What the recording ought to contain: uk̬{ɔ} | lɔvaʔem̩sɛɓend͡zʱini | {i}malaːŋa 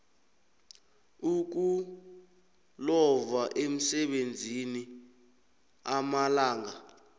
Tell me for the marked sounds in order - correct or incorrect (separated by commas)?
incorrect, incorrect